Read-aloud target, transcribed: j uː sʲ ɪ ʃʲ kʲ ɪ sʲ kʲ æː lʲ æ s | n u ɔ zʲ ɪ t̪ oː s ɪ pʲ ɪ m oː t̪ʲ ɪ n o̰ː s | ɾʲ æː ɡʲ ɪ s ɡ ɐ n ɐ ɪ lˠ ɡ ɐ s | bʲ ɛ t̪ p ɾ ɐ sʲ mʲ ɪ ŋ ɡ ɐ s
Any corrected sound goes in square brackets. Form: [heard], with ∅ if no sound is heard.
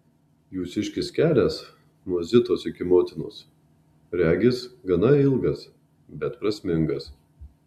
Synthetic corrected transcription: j uː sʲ ɪ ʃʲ kʲ ɪ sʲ kʲ æː lʲ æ s | n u ɔ zʲ ɪ t̪ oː s ɪ [kʲ] ɪ m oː t̪ʲ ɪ n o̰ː s | ɾʲ æː ɡʲ ɪ s ɡ ɐ n ɐ ɪ lˠ ɡ ɐ s | bʲ ɛ t̪ p ɾ ɐ sʲ mʲ ɪ ŋ ɡ ɐ s

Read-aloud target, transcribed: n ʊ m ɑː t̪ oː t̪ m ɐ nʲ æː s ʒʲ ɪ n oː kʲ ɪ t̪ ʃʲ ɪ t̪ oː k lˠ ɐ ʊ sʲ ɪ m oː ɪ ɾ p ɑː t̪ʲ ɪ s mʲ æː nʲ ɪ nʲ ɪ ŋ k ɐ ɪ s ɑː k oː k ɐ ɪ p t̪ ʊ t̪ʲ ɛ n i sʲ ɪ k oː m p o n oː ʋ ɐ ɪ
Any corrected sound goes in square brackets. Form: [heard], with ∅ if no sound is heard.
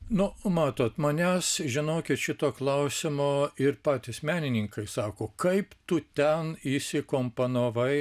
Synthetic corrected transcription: n ʊ m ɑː t̪ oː t̪ m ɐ nʲ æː s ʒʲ ɪ n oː kʲ ɪ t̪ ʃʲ ɪ t̪ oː k lˠ ɐ ʊ sʲ ɪ m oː ɪ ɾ p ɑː t̪ʲ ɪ s mʲ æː nʲ ɪ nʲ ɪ ŋ k ɐ ɪ s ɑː k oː k ɐ ɪ p t̪ ʊ t̪ʲ ɛ n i sʲ ɪ k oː m p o n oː ʋ ɐ ɪ

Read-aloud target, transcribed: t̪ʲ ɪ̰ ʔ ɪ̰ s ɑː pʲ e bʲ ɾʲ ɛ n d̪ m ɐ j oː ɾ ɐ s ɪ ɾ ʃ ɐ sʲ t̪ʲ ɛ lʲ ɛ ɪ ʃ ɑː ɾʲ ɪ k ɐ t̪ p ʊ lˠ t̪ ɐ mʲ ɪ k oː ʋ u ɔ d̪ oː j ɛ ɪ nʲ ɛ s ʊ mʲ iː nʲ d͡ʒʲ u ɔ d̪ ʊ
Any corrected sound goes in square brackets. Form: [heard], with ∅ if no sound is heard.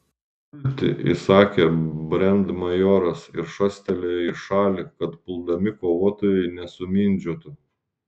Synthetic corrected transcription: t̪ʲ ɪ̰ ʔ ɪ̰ s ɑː [kʲ] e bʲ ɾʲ ɛ n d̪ m ɐ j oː ɾ ɐ s ɪ ɾ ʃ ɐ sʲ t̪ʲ ɛ lʲ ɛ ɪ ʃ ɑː [lʲ] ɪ k ɐ t̪ p ʊ lˠ [d̪] ɐ mʲ ɪ k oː ʋ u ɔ [t̪] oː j ɛ ɪ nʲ ɛ s ʊ mʲ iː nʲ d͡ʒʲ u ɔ [t̪] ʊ

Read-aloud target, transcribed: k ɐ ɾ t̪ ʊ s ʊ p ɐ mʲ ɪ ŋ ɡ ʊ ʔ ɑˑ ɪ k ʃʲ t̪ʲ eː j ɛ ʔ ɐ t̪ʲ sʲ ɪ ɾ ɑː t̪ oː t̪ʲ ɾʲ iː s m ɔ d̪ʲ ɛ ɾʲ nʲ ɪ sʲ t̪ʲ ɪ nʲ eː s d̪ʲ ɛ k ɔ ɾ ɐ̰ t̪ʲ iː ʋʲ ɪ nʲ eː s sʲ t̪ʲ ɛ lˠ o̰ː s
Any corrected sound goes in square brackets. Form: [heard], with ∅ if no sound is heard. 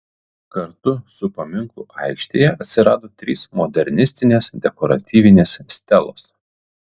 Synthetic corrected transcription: k ɐ ɾ t̪ ʊ s ʊ p ɐ mʲ ɪ ŋ [k] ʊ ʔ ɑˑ ɪ k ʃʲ t̪ʲ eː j ɛ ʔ ɐ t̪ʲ sʲ ɪ ɾ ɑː [d̪] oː t̪ʲ ɾʲ iː s m ɔ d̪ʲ ɛ ɾʲ nʲ ɪ sʲ t̪ʲ ɪ nʲ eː s d̪ʲ ɛ k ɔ ɾ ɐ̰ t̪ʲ iː ʋʲ ɪ nʲ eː s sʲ t̪ʲ ɛ lˠ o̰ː s

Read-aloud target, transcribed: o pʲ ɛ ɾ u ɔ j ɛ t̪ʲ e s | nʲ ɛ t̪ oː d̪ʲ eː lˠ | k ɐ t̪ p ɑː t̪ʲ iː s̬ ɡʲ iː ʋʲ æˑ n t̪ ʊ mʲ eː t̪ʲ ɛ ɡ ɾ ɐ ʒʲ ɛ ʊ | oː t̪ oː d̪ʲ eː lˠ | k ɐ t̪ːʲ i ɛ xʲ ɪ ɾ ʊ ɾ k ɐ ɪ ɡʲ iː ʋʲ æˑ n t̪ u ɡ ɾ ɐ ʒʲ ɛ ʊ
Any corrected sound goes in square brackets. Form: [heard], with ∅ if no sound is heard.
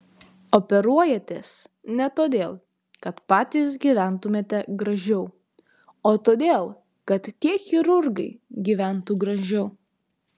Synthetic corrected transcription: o pʲ ɛ ɾ u ɔ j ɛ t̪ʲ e s | nʲ ɛ t̪ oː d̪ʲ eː lˠ | k ɐ t̪ p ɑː t̪ʲ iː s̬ ɡʲ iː ʋʲ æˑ n t̪ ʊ mʲ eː t̪ʲ ɛ ɡ ɾ ɐ ʒʲ ɛ ʊ | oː t̪ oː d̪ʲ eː lˠ | k ɐ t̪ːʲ i ɛ xʲ ɪ ɾ ʊ ɾ [ɡ] ɐ ɪ ɡʲ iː ʋʲ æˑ n t̪ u ɡ ɾ ɐ ʒʲ ɛ ʊ

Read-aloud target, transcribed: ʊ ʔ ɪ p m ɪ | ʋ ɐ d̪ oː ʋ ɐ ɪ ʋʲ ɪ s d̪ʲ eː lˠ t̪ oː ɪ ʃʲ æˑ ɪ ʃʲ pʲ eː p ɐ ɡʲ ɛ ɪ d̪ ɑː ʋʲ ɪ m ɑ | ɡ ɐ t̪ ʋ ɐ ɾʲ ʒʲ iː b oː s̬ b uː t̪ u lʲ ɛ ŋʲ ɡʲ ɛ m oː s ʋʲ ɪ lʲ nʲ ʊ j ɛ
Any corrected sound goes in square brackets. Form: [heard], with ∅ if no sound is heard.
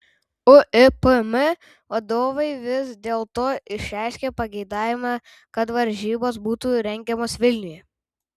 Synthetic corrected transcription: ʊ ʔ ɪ p m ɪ | ʋ ɐ d̪ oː ʋ ɐ ɪ ʋʲ ɪ s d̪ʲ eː lˠ t̪ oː ɪ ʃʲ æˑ ɪ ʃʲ [kʲ] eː p ɐ ɡʲ ɛ ɪ d̪ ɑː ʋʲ ɪ m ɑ | [k] ɐ t̪ ʋ ɐ ɾʲ ʒʲ iː b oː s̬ b uː t̪ u [ɾʲ] ɛ ŋʲ ɡʲ ɛ m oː s ʋʲ ɪ lʲ nʲ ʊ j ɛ

